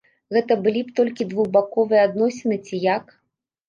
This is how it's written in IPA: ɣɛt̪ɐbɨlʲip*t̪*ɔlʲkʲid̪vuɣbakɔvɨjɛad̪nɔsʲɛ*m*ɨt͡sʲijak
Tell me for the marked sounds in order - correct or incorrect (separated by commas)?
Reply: correct, incorrect